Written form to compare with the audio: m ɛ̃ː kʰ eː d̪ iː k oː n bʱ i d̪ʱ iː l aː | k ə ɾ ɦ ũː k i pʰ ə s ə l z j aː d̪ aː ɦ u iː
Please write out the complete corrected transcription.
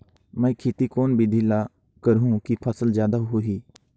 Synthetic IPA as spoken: m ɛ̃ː kʰ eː t̪ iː k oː n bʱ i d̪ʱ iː l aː | k ə ɾ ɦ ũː k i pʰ ə s ə l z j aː d̪ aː ɦ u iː